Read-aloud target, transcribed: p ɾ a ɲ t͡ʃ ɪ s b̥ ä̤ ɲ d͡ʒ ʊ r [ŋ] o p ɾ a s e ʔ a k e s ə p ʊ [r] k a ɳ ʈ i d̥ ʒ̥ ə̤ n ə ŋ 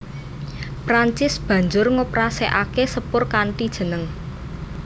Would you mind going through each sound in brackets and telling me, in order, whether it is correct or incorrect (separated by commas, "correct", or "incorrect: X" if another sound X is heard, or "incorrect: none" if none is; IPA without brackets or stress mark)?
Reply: correct, correct